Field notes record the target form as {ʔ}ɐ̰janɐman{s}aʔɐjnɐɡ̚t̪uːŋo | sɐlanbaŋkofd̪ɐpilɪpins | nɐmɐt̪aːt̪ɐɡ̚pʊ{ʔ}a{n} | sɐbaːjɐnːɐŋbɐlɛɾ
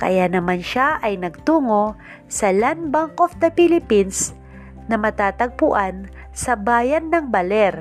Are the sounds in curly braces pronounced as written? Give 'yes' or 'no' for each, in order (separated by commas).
no, no, yes, yes